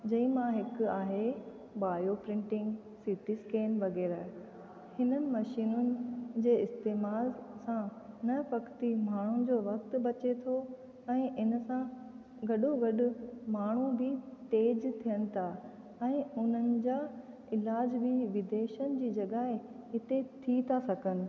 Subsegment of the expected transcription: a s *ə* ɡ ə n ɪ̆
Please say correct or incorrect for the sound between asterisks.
incorrect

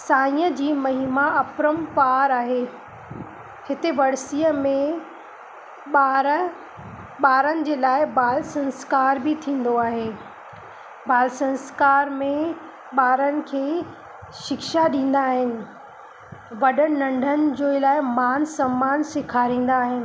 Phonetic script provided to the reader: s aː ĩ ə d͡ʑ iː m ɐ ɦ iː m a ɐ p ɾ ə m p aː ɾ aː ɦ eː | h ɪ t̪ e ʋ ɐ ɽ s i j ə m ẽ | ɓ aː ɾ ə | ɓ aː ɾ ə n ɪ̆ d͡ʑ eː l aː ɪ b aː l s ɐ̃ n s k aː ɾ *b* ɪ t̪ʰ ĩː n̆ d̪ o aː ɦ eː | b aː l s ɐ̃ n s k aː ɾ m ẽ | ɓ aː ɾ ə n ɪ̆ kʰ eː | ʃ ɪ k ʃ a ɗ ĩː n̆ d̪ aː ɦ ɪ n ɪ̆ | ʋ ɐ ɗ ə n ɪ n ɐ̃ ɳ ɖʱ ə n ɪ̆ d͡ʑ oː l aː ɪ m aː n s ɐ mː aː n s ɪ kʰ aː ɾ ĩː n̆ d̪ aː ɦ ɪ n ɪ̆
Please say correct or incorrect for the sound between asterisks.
correct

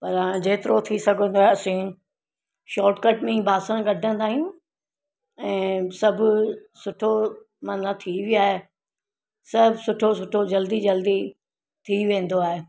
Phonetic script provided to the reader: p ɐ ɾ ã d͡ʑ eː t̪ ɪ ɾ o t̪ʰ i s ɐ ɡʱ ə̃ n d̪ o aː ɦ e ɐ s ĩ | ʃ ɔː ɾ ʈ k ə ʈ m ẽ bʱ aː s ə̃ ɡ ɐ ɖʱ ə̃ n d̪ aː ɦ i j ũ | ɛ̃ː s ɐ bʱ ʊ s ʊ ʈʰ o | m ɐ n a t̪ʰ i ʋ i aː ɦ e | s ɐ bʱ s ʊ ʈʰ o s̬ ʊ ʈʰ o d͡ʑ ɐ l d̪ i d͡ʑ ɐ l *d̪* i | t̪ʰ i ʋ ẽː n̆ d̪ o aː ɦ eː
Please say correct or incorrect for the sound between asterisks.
correct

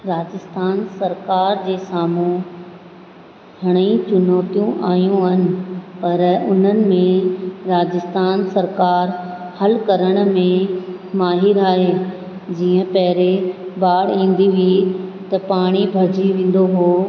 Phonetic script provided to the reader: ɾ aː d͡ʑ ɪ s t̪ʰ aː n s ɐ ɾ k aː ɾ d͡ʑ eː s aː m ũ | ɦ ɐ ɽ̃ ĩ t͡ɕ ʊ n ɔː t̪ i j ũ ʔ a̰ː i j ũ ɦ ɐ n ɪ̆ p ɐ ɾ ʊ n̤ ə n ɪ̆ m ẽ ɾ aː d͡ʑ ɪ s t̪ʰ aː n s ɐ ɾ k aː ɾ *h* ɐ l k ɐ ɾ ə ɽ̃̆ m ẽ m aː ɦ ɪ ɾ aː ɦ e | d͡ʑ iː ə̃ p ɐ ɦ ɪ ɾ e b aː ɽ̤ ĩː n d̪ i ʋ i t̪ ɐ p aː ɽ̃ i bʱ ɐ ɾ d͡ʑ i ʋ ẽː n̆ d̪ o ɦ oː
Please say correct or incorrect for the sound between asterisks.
correct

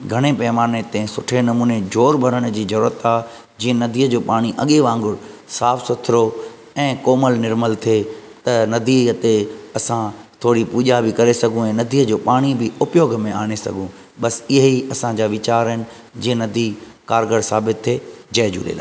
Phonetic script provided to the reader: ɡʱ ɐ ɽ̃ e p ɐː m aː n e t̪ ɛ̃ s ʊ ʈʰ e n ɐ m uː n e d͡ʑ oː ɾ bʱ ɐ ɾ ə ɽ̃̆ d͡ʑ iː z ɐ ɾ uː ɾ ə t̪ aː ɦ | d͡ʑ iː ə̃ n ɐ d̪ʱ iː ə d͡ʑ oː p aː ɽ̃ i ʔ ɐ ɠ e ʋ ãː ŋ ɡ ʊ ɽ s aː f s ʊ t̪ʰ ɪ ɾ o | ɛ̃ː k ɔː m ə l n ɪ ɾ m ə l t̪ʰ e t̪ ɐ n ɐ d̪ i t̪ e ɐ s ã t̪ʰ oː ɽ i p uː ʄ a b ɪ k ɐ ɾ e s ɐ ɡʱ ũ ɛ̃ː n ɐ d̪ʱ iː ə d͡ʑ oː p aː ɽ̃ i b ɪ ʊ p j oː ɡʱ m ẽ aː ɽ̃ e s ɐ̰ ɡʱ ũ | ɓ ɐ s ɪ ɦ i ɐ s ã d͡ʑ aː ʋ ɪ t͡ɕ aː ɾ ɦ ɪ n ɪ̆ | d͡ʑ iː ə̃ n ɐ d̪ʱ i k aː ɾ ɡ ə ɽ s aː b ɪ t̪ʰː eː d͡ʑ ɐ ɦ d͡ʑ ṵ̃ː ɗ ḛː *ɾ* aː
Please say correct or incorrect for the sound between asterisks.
incorrect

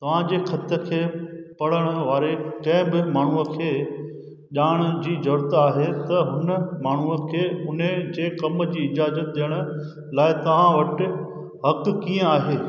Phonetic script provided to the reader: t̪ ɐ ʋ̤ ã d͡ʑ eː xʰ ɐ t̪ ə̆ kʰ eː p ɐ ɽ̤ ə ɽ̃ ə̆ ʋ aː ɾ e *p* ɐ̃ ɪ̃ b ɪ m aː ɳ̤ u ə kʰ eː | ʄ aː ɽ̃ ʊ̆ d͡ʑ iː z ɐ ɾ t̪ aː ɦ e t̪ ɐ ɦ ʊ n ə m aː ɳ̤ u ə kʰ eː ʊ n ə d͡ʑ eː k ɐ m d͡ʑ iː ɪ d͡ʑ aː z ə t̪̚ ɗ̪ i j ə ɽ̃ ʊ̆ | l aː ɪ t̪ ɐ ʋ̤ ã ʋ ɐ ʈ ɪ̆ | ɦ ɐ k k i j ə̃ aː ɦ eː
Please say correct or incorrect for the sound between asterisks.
incorrect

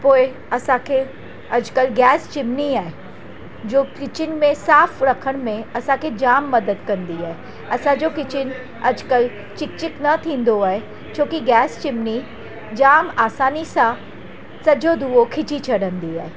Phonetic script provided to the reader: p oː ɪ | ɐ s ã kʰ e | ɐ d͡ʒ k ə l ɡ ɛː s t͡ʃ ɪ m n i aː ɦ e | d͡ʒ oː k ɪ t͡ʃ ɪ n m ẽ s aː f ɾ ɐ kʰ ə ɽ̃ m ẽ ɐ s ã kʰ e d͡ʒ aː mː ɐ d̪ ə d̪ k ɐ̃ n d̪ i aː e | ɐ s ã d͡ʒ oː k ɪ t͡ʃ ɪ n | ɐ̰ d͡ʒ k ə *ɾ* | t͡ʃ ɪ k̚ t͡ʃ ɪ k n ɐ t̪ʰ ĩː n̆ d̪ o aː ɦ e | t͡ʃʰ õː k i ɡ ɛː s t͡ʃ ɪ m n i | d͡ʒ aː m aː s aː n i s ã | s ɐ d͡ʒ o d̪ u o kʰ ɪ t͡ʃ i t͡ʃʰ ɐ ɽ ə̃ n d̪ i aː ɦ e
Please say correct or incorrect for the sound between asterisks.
incorrect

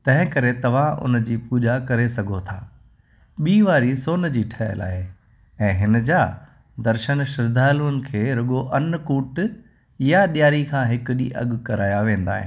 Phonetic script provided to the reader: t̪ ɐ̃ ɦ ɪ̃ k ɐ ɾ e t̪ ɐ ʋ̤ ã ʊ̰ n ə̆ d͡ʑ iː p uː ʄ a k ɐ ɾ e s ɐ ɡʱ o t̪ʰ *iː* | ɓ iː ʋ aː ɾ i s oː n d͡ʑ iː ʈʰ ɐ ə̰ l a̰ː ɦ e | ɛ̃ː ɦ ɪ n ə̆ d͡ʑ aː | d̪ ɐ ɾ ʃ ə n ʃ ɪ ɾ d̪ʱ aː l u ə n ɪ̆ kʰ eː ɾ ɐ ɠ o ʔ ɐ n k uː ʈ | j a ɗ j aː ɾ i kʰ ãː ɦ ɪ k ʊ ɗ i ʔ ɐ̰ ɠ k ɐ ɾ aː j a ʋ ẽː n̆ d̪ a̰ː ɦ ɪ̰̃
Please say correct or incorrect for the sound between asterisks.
incorrect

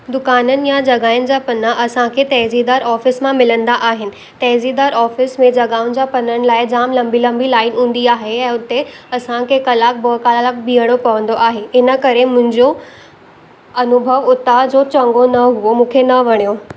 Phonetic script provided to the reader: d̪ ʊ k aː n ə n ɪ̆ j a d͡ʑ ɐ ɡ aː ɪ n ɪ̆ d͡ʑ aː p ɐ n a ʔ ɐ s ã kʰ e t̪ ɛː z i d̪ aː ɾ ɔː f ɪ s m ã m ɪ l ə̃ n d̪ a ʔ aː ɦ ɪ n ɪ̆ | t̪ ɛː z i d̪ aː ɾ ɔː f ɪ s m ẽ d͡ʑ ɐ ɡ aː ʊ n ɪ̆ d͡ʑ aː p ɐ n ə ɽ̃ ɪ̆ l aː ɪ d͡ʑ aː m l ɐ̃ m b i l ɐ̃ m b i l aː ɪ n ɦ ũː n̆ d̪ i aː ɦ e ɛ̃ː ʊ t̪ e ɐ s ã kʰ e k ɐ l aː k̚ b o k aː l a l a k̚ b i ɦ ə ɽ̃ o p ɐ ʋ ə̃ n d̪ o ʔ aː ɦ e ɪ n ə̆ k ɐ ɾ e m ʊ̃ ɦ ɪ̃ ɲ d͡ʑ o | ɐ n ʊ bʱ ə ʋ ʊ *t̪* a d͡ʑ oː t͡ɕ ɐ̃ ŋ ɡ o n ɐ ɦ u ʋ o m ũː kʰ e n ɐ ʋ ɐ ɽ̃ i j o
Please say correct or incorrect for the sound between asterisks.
correct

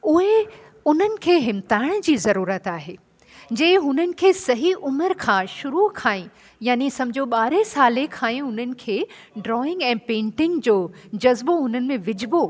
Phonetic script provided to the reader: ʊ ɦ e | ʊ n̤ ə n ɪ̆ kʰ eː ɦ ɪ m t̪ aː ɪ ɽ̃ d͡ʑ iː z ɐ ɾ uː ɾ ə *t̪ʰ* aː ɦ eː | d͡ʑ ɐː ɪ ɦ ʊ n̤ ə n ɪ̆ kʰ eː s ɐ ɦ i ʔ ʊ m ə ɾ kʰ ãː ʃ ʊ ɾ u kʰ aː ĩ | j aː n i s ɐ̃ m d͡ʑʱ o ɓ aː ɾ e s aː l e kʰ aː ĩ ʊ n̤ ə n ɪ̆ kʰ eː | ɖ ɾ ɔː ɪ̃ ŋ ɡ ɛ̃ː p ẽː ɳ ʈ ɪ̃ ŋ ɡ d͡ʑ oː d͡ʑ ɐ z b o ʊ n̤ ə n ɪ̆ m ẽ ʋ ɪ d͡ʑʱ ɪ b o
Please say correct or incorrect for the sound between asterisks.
incorrect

